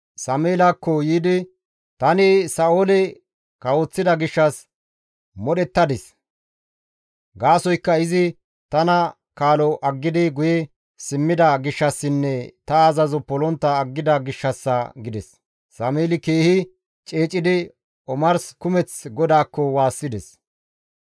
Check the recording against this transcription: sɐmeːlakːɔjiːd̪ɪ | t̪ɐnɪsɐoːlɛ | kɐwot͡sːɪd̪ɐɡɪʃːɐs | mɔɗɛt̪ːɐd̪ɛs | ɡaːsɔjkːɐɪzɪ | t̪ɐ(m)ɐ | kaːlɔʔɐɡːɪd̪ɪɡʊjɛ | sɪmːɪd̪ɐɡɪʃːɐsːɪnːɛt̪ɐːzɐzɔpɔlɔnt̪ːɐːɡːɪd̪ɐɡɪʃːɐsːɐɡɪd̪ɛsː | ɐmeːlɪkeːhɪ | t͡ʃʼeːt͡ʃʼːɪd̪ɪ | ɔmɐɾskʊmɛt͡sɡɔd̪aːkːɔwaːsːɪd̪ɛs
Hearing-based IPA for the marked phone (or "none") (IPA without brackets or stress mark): n